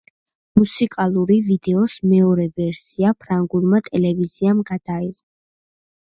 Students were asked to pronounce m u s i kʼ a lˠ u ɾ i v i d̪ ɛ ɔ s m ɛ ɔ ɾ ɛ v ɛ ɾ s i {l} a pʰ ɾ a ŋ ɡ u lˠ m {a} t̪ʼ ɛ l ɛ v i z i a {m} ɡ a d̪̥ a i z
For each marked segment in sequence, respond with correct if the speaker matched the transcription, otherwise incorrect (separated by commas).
incorrect, correct, correct